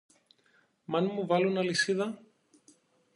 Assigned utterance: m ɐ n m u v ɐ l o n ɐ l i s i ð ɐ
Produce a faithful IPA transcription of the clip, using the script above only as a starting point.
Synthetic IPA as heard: m ɐ n m u v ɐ l u n ɐ l i s i ð ɐ